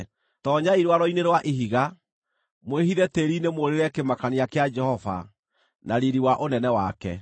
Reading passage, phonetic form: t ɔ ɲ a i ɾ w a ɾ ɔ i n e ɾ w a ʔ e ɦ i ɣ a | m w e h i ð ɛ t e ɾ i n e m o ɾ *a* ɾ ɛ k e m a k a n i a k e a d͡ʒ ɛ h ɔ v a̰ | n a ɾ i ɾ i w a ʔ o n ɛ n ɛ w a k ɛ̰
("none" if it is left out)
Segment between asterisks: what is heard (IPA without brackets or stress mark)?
e